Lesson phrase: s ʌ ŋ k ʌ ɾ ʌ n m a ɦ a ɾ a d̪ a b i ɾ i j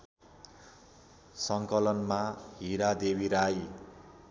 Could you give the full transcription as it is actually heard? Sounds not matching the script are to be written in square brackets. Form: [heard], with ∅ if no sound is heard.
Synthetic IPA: s ʌ ŋ k ʌ [l] ʌ n m a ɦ [i] ɾ a d̪ [e] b i ɾ [a] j